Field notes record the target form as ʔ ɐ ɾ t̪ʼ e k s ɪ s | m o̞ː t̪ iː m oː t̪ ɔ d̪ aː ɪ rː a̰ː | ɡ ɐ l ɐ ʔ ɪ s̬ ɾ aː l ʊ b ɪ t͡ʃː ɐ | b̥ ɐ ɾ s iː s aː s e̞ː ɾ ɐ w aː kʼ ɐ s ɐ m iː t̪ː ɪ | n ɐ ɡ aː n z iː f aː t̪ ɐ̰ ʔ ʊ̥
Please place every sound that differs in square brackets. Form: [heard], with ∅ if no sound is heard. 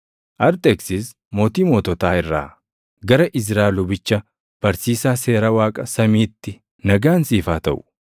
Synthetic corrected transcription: ʔ ɐ ɾ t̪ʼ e k s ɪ s | m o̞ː t̪ iː m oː t̪ ɔ [t̪] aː ɪ rː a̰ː | ɡ ɐ [ɾ] ɐ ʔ ɪ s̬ ɾ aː l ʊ b ɪ t͡ʃː ɐ | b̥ ɐ ɾ s iː s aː s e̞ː ɾ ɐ w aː kʼ ɐ s ɐ m iː t̪ː ɪ | n ɐ ɡ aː n [s] iː f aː t̪ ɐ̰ ʔ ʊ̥